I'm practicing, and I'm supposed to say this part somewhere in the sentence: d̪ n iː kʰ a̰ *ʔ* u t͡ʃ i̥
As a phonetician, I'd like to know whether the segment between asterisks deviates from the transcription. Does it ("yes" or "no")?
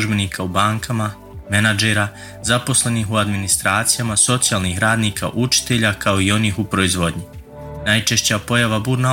no